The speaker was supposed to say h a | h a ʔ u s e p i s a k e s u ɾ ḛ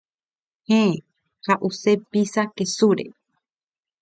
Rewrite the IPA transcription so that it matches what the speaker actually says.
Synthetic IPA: h e | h a ʔ u s e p i s a k e s u ɾ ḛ